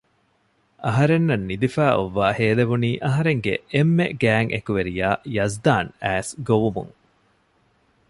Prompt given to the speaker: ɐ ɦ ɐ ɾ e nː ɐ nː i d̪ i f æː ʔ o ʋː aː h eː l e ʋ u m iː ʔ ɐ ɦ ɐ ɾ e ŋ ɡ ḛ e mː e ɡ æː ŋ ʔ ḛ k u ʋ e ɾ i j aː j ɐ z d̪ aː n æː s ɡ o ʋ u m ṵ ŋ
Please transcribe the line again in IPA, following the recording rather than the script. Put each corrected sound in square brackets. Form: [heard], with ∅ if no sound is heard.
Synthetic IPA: ɐ ɦ ɐ ɾ e nː ɐ nː i d̪ i f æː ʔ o ʋː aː h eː l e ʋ u [n] iː ʔ ɐ ɦ ɐ ɾ e ŋ ɡ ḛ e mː e ɡ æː ŋ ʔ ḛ k u ʋ e ɾ i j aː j ɐ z d̪ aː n æː s ɡ o ʋ u m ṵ ŋ